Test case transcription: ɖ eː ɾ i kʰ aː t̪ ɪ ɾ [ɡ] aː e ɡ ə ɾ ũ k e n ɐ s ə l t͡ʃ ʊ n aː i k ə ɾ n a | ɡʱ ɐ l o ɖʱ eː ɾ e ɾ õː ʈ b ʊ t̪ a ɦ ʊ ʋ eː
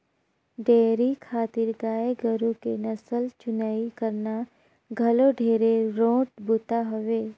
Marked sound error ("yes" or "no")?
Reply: no